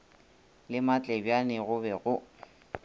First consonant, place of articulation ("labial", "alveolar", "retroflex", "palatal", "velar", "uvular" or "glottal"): alveolar